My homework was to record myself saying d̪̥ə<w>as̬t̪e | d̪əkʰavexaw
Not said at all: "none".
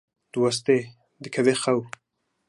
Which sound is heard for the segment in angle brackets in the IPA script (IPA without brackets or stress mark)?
w